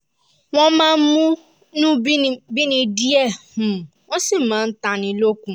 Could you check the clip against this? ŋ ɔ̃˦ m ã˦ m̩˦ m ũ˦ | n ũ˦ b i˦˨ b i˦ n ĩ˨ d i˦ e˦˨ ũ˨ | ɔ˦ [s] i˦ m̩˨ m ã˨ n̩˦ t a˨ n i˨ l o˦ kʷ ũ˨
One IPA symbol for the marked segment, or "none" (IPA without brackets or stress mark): s